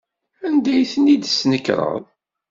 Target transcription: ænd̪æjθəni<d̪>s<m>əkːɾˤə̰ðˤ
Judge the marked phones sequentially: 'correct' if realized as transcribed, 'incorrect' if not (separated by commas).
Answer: correct, incorrect